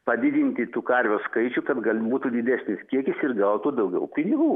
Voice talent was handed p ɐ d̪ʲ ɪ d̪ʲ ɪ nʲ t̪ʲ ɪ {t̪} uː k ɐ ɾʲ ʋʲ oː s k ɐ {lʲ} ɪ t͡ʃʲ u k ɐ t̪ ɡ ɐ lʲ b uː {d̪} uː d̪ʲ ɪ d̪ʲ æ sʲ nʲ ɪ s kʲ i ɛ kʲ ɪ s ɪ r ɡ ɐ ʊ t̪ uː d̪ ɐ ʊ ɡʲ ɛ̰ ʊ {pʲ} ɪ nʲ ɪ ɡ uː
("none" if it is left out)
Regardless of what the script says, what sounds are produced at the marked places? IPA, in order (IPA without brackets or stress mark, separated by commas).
t̪, none, t̪, pʲ